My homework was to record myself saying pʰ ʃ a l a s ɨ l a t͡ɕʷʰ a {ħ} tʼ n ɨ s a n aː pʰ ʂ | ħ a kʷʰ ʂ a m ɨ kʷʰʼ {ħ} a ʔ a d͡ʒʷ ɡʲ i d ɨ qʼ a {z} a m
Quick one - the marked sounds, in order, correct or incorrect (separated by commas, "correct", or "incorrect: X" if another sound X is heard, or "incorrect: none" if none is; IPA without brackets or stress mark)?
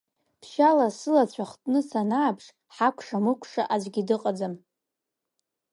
incorrect: χ, incorrect: ʂ, incorrect: d͡z